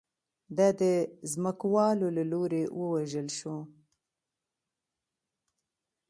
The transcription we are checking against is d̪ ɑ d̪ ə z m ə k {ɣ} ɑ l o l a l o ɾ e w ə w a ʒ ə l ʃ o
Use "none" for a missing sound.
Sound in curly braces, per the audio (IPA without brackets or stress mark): w